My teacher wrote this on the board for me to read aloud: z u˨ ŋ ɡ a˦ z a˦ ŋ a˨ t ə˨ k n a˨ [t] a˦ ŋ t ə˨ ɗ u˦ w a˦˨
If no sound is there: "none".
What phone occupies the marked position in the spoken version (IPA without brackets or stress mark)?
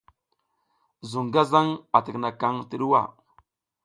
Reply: k